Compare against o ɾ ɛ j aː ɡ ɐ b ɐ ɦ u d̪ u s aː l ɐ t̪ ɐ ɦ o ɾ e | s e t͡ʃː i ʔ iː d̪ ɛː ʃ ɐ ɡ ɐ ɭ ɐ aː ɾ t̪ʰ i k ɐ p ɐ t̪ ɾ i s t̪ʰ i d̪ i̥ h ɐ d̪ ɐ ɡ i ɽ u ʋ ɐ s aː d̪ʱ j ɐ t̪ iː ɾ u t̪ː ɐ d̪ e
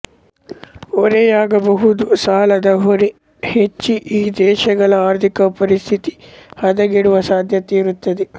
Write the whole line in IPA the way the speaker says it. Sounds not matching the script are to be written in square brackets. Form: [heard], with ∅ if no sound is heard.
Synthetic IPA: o ɾ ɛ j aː ɡ ɐ b ɐ ɦ u d̪ u s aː l ɐ [d̪] ɐ ɦ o ɾ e | [h] e t͡ʃː i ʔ iː d̪ ɛː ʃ ɐ ɡ ɐ ɭ ɐ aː ɾ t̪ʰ i k ɐ p ɐ [∅] ɾ i s t̪ʰ i [t̪] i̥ h ɐ d̪ ɐ ɡ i ɽ u ʋ ɐ s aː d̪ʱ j ɐ t̪ iː ɾ u t̪ː ɐ d̪ e